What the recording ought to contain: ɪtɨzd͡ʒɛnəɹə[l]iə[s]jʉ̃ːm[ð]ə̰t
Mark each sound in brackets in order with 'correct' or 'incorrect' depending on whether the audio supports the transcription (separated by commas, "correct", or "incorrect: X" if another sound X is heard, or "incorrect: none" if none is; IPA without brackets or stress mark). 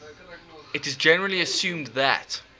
correct, correct, correct